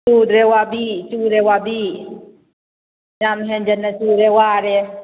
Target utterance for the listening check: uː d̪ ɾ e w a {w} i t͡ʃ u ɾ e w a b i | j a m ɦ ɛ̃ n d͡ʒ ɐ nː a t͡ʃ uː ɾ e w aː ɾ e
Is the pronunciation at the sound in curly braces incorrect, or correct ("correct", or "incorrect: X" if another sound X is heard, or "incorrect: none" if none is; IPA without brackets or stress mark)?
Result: incorrect: b